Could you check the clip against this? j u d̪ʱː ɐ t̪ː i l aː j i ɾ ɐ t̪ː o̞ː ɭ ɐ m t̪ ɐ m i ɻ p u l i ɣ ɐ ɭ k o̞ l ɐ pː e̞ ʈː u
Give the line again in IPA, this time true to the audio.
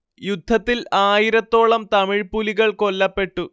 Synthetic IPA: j u d̪ʱː ɐ t̪ː i l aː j i ɾ ɐ t̪ː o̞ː ɭ ɐ m t̪ ɐ m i ɻ p u l i ɣ ɐ ɭ k o̞ lː ɐ pː e̞ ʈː u